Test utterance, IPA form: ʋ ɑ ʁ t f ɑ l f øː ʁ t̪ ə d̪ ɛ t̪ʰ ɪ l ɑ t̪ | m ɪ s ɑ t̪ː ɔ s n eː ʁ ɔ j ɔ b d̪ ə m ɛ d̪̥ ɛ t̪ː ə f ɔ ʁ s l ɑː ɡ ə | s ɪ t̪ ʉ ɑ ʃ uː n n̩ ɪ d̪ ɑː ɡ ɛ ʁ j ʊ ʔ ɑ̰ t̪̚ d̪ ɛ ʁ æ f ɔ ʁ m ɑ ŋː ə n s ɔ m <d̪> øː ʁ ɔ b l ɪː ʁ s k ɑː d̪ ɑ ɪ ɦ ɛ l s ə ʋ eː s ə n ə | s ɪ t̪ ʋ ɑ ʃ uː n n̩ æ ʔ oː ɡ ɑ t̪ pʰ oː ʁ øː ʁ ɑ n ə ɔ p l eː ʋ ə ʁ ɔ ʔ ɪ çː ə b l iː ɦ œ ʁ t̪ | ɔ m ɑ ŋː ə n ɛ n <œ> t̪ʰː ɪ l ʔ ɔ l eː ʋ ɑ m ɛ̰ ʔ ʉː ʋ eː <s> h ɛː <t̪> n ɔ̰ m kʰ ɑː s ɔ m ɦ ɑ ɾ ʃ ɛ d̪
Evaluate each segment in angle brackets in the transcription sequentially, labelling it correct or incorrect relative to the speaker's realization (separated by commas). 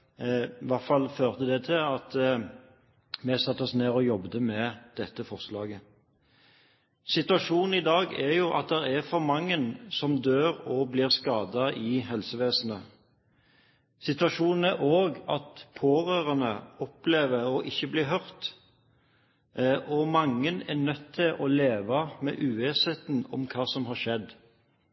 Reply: correct, correct, correct, correct